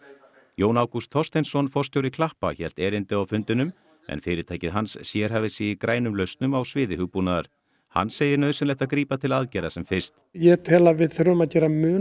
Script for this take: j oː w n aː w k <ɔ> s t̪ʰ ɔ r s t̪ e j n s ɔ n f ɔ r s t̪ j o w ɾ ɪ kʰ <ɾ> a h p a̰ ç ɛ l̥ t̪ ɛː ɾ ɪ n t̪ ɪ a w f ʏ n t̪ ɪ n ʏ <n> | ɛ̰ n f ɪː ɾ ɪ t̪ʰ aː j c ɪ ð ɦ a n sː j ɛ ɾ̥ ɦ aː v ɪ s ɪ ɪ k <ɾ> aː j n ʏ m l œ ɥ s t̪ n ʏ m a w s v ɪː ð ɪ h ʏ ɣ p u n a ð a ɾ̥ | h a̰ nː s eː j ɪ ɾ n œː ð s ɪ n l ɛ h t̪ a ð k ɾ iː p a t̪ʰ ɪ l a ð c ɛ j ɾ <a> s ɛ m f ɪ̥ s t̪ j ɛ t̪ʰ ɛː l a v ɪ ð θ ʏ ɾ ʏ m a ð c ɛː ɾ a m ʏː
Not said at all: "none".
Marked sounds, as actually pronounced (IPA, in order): u, l, m, ɾ, a

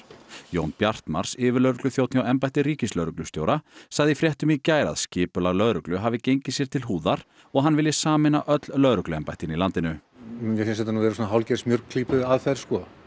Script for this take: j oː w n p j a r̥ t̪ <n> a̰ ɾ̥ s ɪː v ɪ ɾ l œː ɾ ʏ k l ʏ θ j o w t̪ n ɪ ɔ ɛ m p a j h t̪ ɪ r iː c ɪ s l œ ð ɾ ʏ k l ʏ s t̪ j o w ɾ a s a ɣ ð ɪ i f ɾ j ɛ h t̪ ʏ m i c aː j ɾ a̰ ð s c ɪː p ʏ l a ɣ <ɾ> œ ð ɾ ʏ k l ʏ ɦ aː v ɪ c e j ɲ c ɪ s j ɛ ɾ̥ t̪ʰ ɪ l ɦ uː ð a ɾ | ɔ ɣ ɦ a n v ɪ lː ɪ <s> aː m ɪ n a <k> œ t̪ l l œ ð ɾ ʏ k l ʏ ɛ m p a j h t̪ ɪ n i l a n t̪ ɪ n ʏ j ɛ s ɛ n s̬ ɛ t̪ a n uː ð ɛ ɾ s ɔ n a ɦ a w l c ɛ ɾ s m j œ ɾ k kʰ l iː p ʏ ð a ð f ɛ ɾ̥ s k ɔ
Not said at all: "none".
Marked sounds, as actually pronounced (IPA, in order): m, l, s, ʔ

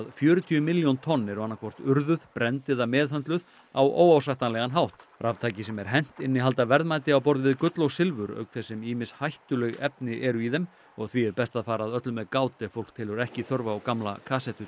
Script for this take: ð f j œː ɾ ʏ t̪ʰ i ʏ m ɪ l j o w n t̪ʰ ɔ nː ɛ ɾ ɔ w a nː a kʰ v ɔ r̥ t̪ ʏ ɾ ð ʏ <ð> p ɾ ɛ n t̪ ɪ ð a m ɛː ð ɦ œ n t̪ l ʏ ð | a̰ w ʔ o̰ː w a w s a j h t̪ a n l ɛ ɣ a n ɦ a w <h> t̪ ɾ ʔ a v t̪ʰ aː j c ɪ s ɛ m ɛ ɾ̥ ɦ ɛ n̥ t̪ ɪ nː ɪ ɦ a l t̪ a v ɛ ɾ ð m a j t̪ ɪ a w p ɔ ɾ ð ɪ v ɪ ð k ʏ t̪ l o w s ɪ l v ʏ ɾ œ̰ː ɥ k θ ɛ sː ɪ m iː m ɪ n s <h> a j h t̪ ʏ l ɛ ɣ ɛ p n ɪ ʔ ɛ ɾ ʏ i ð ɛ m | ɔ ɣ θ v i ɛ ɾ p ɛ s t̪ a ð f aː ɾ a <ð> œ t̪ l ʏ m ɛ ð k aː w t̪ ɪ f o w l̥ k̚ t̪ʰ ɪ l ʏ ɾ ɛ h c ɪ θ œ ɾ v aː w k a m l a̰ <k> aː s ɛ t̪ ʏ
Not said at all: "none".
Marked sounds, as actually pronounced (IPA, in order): ð, h, h, ð, kʰ

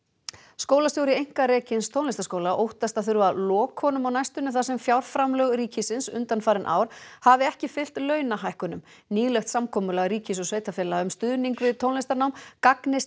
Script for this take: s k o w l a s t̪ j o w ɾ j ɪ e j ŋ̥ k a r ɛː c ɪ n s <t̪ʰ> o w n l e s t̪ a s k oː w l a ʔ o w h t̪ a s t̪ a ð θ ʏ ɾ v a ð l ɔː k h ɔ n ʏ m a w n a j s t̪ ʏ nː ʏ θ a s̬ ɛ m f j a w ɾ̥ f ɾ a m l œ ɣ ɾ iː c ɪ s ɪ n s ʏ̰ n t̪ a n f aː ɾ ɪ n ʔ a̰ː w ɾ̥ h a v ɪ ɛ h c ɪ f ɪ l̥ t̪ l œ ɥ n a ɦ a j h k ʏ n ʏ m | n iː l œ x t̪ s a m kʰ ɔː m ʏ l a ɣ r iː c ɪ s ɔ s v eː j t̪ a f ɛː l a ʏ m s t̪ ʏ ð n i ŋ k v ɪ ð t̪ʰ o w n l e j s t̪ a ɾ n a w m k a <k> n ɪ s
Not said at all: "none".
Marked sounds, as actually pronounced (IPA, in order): t̪ʰ, k

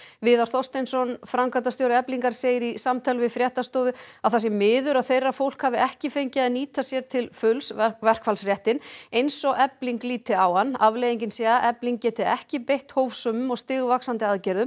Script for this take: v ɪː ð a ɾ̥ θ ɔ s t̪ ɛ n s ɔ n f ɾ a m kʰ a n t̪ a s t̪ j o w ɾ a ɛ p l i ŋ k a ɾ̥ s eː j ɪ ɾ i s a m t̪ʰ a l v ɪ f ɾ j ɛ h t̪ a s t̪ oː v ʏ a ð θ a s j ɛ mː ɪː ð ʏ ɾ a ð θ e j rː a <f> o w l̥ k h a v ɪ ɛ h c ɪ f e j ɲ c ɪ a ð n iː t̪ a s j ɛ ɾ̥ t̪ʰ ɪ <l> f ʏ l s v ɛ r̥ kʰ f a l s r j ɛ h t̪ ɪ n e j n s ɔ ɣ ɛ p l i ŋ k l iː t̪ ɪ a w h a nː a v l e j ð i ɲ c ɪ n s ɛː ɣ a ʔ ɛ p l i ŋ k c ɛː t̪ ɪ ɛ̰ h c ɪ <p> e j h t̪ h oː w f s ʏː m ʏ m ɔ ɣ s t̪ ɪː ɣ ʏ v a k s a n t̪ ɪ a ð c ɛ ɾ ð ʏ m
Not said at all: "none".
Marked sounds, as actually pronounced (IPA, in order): f, l, p

